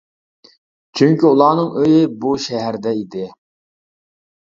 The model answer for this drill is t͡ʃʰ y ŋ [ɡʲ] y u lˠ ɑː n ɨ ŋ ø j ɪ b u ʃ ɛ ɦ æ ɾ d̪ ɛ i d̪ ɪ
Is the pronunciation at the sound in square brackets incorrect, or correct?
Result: incorrect: kʲ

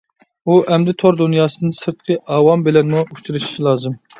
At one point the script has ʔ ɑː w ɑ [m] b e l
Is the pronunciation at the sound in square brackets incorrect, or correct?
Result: correct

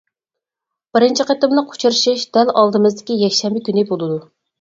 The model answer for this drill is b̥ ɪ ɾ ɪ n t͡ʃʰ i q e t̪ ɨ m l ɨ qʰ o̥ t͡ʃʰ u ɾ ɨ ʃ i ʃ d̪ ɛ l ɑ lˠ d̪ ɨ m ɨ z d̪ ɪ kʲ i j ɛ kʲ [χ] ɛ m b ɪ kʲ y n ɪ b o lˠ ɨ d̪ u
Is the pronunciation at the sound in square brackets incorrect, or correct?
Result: incorrect: ʃ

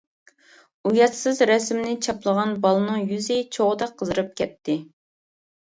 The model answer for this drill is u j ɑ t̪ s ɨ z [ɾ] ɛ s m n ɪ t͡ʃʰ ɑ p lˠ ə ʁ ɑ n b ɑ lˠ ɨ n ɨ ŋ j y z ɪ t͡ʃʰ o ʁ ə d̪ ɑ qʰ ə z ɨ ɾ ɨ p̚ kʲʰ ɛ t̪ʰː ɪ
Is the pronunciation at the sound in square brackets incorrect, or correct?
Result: correct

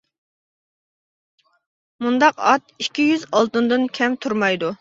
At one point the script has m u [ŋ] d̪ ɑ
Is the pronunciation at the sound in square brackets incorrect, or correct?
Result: incorrect: n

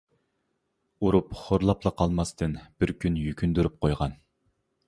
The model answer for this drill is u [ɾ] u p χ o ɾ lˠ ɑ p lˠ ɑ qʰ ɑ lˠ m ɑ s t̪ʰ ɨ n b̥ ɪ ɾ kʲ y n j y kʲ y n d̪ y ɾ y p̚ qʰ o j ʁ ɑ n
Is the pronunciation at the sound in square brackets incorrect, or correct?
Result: correct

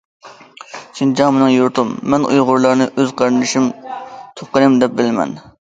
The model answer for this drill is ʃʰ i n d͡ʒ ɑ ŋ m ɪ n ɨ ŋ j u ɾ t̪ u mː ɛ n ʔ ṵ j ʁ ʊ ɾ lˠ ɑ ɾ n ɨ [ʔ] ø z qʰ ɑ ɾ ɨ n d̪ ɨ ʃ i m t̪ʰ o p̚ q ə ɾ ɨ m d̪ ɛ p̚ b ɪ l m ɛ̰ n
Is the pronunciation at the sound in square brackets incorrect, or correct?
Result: correct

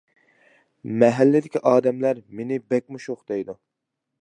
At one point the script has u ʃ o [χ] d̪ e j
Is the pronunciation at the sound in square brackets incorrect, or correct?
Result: correct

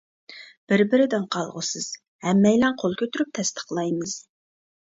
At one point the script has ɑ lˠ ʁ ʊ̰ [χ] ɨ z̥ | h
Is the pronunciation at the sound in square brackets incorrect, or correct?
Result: incorrect: s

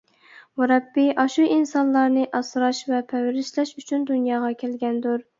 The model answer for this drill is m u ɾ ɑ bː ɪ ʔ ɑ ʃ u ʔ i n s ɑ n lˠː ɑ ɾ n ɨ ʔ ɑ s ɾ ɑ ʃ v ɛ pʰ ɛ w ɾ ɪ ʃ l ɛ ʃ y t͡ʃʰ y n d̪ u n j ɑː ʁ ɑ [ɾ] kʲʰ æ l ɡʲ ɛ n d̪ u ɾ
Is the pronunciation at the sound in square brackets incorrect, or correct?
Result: incorrect: none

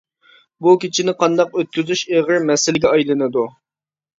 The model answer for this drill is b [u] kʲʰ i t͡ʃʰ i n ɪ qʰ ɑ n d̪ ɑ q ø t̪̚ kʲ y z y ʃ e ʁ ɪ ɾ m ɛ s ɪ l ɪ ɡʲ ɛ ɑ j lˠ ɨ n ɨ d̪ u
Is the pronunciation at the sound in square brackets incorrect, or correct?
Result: correct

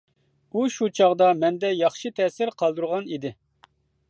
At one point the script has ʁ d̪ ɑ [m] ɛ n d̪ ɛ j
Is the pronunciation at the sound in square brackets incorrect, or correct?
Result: correct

